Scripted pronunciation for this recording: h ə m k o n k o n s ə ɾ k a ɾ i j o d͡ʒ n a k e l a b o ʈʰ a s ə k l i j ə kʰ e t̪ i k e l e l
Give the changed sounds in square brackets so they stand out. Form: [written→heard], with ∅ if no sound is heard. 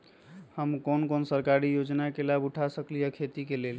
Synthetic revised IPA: h ə m k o n k o n s ə ɾ k a ɾ i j o d͡ʒ n a k e l a b [o→u] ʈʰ a s ə k l i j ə kʰ e t̪ i k e l e l

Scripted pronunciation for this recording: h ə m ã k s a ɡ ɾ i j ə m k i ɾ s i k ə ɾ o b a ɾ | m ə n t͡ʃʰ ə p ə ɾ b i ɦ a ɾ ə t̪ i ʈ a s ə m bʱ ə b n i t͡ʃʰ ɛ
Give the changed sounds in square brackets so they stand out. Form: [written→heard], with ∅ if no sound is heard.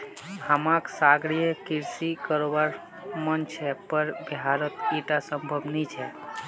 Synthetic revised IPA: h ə m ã k s a ɡ ɾ i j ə [m→∅] k i ɾ s i k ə ɾ o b a ɾ | m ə n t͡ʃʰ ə p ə ɾ b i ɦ a ɾ ə t̪ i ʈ a s ə m bʱ ə b n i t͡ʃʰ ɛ

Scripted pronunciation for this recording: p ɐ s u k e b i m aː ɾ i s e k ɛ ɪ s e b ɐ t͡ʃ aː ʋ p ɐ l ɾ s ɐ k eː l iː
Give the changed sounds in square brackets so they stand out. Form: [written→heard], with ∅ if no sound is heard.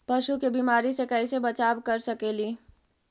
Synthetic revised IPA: p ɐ [s→ʃ] u k e b i m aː ɾ i s e k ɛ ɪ s e b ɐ t͡ʃ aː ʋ [p→k] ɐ [l→∅] ɾ s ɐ k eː l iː

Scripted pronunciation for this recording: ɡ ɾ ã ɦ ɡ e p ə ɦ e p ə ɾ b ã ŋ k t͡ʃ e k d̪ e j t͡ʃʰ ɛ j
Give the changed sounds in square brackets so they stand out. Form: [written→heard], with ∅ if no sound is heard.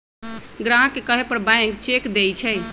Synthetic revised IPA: ɡ ɾ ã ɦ [ɡ→k] e [p→k] ə ɦ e p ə ɾ b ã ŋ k t͡ʃ e k d̪ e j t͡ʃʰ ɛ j

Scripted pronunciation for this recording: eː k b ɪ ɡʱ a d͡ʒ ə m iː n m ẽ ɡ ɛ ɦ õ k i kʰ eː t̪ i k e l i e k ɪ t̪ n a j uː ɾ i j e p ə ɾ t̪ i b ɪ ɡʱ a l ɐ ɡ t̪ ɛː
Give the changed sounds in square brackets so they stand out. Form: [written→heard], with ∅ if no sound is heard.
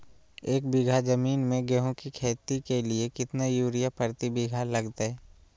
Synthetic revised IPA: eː k b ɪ ɡʱ a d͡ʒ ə m iː n m ẽ ɡ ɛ ɦ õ k i kʰ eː t̪ i k e l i e k ɪ t̪ n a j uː ɾ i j [e→a] p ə ɾ t̪ i b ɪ ɡʱ a l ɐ ɡ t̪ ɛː

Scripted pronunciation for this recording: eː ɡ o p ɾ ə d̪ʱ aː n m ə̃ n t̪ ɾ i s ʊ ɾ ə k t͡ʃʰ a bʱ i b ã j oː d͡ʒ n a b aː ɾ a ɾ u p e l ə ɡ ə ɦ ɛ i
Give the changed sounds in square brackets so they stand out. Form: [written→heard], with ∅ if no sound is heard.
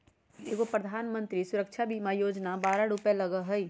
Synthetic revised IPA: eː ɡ o p ɾ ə d̪ʱ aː n m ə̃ n t̪ ɾ i s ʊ ɾ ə k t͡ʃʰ a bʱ i [b→m] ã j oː d͡ʒ n a b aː ɾ a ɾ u p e l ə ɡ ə ɦ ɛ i

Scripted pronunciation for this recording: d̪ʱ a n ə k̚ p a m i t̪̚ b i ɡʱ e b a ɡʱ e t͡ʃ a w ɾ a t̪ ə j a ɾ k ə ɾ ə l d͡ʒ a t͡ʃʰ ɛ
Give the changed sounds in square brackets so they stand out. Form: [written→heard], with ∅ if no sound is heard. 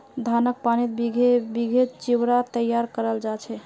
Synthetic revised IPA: d̪ʱ a n ə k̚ p a [m→n] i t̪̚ b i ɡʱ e b [a→i] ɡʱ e t͡ʃ [a→i] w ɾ a t̪ ə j a ɾ k ə ɾ ə l d͡ʒ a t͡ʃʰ ɛ

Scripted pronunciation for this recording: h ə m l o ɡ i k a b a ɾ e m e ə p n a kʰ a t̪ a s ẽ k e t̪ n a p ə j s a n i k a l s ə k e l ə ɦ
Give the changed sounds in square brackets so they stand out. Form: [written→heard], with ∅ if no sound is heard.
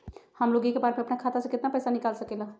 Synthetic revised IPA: h ə m l o ɡ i k [a→e] b a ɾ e m e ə p n a kʰ a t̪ a s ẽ k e t̪ n a p ə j s a n i k a l s ə k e l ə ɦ

